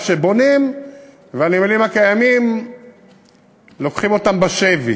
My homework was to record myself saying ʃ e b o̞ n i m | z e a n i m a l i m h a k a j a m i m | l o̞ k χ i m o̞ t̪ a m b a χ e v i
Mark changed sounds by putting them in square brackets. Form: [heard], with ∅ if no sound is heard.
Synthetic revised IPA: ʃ e b o̞ n i m | [v] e a n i m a l i m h a k a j a m i m | l o̞ k χ i m o̞ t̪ a m b a [ʃ] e v i